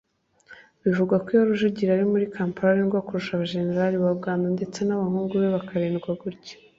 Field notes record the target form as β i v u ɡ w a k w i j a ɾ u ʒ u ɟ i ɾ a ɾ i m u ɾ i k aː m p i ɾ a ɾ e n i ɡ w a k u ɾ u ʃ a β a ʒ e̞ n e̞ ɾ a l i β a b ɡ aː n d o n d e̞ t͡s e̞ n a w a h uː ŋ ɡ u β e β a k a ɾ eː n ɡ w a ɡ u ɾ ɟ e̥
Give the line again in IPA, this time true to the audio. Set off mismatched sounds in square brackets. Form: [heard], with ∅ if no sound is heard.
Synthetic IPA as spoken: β i v u ɡ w a k w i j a ɾ u ʒ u ɟ i ɾ a ɾ i m u ɾ i k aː m p [a] ɾ a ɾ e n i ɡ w a k u ɾ u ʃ a β a ʒ e̞ n e̞ ɾ a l i β a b ɡ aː n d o n d e̞ t͡s e̞ n a [β] a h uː ŋ ɡ u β e β a k a ɾ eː n ɡ w a ɡ u ɾ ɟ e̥